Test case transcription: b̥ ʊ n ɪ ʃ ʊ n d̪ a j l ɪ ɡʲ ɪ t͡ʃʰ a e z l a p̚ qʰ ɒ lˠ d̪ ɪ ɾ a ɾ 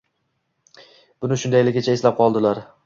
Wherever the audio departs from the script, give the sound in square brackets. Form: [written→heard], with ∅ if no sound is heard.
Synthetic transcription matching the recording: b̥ ʊ n ɪ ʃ ʊ n d̪ a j l ɪ ɡʲ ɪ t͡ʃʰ a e [z→s] l a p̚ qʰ ɒ lˠ d̪ ɪ [ɾ→l] a ɾ